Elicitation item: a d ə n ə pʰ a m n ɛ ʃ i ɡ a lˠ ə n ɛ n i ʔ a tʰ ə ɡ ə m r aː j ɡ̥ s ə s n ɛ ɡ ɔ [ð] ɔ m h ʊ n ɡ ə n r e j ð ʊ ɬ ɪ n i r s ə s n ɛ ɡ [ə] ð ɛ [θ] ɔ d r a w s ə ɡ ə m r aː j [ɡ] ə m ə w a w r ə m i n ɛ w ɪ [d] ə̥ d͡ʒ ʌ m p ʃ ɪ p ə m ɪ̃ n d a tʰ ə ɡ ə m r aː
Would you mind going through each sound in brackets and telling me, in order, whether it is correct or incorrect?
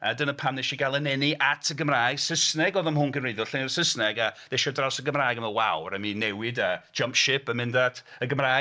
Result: correct, incorrect, incorrect, correct, correct

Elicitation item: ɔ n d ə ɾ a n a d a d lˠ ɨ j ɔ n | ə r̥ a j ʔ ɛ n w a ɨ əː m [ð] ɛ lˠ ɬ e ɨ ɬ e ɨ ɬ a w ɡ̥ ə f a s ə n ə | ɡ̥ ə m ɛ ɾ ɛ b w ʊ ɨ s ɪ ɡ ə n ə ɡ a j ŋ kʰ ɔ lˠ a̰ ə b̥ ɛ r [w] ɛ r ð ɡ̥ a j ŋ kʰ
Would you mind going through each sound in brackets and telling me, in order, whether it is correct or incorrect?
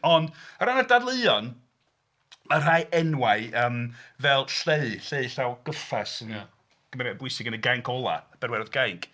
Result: incorrect, correct

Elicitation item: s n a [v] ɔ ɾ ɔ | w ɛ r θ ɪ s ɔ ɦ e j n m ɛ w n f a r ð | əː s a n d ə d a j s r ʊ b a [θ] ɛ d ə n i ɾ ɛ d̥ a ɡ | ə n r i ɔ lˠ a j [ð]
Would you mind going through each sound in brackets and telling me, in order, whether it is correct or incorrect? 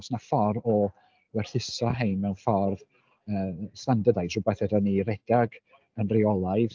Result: incorrect, correct, correct

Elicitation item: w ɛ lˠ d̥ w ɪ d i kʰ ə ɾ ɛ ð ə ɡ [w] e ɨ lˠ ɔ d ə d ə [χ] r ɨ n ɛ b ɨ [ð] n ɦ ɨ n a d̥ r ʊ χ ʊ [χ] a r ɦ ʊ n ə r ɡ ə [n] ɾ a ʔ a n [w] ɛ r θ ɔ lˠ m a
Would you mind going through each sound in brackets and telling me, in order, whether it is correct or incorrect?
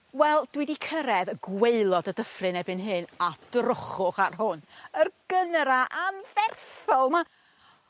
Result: correct, incorrect, incorrect, correct, correct, incorrect

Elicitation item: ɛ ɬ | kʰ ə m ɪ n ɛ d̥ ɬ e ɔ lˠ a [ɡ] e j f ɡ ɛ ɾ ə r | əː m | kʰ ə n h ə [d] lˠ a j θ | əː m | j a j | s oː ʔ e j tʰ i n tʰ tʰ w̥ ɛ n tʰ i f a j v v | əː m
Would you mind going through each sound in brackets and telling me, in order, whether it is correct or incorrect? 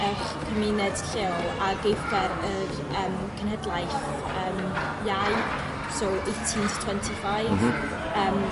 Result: correct, correct

